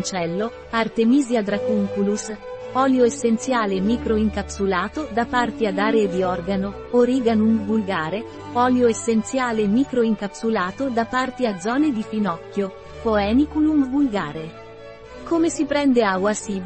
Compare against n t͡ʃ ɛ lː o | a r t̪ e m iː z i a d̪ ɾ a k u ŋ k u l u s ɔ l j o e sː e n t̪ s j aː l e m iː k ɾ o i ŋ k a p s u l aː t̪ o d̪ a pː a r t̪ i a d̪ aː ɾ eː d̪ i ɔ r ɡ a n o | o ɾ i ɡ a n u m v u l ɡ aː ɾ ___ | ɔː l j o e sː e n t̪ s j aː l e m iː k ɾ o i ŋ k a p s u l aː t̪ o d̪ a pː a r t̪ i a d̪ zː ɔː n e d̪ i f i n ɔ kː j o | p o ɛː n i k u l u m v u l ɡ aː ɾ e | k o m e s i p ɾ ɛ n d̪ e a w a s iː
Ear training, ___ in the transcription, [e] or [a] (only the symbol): e